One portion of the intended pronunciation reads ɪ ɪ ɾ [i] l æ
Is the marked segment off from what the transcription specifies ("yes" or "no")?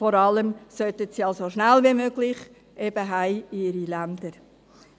no